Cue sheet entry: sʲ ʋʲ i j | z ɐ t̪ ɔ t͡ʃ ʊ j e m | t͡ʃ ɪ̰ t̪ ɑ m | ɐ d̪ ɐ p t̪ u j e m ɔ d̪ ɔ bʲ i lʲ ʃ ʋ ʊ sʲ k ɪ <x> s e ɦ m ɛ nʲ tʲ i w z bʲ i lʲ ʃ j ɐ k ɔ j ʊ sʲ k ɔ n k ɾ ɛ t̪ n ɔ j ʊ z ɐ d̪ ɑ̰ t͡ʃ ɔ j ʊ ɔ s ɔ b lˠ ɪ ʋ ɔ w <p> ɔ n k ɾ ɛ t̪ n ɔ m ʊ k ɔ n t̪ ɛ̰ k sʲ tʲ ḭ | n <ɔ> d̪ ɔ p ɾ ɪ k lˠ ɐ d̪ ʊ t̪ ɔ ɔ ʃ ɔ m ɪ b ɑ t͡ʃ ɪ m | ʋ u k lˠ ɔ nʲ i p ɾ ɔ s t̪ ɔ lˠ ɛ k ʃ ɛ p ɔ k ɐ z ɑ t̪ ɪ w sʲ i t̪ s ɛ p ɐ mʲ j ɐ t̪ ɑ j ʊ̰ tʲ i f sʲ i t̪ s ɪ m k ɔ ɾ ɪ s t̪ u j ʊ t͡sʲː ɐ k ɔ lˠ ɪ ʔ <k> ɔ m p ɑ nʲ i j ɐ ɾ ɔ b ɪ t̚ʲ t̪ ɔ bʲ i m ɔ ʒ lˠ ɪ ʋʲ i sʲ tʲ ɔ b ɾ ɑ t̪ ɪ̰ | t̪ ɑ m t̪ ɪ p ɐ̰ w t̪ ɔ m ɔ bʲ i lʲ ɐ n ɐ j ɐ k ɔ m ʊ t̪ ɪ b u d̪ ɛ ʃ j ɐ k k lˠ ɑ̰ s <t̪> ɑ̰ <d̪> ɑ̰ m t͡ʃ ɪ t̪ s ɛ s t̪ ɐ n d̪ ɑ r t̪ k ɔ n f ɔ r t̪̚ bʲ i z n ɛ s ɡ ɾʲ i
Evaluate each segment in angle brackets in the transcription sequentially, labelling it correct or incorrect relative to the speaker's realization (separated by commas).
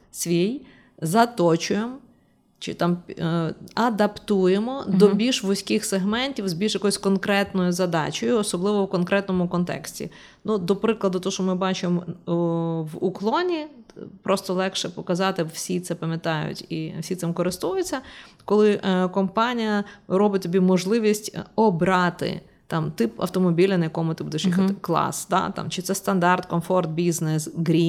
correct, incorrect, incorrect, correct, incorrect, incorrect